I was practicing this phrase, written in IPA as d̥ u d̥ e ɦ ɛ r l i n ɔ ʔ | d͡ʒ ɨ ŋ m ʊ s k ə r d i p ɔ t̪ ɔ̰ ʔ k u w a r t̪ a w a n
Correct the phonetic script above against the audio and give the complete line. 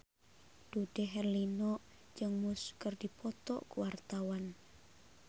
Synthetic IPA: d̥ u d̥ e ɦ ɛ r l i n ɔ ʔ | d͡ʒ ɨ ŋ m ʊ s k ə r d i p ɔ t̪ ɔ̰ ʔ k u w a r t̪ a w a n